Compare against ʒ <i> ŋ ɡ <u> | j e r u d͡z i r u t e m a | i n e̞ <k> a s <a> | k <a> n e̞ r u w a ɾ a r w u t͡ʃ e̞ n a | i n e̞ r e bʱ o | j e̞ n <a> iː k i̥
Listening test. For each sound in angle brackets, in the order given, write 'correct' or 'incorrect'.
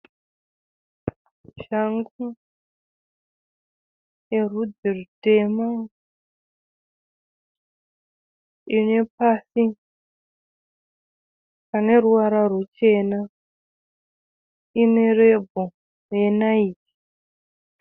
incorrect, correct, incorrect, incorrect, correct, correct

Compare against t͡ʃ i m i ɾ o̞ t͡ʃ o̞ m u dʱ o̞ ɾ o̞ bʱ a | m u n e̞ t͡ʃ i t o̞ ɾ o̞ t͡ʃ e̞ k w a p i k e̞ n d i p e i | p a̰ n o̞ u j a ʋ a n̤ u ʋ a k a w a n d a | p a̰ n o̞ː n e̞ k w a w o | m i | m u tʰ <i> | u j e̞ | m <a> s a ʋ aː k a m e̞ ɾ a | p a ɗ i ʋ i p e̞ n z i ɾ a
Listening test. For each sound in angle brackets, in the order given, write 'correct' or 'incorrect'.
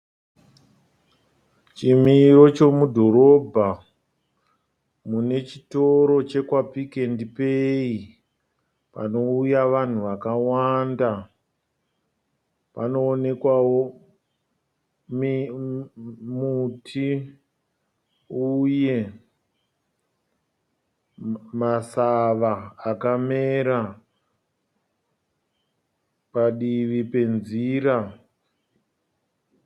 correct, correct

